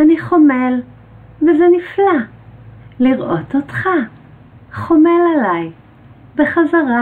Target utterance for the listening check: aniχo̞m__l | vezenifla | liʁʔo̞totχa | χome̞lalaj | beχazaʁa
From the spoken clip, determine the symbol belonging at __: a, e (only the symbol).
e